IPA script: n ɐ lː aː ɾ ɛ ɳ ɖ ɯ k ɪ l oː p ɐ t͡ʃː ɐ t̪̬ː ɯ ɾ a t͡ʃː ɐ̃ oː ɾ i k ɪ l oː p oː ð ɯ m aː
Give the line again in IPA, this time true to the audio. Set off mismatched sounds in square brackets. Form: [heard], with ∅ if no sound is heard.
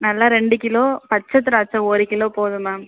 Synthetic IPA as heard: n ɐ lː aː ɾ ɛ ɳ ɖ ɯ k ɪ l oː p ɐ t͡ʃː ɐ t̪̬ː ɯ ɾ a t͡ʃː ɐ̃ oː ɾ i k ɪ l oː p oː ð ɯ m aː